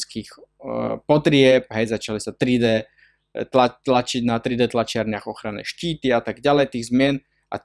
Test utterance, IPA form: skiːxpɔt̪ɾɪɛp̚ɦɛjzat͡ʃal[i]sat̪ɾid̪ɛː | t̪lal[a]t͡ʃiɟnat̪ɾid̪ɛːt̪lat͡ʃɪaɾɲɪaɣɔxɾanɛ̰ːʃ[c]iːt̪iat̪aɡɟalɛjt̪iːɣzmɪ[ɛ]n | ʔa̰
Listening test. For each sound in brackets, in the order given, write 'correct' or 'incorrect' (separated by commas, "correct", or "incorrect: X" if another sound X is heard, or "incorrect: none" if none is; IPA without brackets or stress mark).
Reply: correct, correct, correct, correct